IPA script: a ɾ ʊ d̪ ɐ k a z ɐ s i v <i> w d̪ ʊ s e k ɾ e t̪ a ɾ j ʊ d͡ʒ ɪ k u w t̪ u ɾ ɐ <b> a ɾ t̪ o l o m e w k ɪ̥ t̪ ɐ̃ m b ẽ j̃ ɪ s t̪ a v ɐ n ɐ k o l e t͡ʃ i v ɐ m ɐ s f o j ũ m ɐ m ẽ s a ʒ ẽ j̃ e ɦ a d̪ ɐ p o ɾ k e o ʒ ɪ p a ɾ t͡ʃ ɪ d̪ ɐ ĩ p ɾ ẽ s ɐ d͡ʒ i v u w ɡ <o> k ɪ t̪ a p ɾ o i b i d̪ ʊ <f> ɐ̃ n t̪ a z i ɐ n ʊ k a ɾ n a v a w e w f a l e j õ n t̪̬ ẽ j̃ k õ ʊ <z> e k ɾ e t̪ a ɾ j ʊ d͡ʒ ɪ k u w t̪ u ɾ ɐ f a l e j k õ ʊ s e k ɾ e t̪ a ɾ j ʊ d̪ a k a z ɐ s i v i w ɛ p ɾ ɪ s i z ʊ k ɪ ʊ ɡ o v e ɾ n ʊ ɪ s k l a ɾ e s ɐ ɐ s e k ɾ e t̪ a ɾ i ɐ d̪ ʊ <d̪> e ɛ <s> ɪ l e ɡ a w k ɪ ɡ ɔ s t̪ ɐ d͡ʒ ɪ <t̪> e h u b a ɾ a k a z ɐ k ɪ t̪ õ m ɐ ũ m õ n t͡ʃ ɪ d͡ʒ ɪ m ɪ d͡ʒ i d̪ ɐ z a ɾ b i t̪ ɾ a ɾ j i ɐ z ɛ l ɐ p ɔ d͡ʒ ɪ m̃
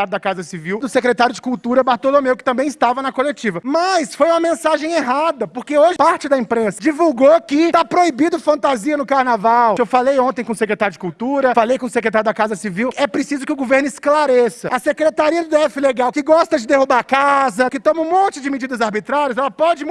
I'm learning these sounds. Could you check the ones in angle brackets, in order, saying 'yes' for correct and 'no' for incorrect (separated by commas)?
yes, yes, yes, yes, no, yes, no, no